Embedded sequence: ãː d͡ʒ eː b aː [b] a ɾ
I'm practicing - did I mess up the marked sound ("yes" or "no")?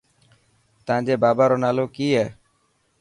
no